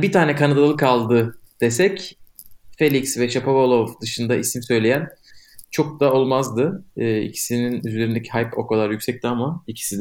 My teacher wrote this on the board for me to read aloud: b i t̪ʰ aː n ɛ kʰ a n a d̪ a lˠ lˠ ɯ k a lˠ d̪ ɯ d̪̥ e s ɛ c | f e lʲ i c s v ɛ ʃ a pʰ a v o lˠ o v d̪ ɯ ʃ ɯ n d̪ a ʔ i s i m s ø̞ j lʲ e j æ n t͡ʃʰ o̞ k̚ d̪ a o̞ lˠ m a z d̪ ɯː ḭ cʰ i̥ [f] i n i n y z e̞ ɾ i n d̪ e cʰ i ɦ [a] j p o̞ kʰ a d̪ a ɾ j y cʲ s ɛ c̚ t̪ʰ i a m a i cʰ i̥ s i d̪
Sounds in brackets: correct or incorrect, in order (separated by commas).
incorrect, correct